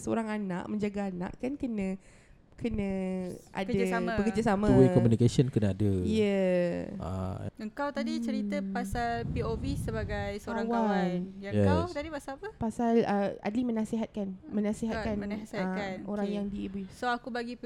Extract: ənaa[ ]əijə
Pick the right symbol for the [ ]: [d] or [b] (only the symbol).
d